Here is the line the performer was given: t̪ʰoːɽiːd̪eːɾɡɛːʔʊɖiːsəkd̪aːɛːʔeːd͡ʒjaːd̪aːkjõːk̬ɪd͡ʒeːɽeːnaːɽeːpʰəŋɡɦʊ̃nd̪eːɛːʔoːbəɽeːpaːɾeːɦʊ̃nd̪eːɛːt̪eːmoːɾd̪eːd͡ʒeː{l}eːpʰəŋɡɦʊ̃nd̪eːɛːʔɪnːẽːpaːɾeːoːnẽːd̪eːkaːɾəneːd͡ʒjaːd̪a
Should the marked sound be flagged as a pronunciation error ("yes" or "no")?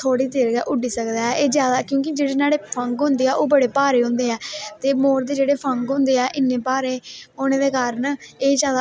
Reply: yes